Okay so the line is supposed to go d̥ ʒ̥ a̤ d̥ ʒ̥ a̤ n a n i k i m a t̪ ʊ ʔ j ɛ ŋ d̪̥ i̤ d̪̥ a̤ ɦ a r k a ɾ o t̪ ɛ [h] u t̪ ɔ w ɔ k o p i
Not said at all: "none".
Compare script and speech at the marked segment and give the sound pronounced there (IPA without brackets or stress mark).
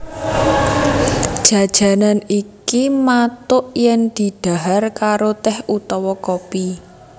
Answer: h